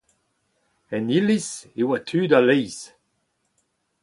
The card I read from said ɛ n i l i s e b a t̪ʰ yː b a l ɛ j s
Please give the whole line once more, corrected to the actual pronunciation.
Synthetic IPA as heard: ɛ n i l i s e w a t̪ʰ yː d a l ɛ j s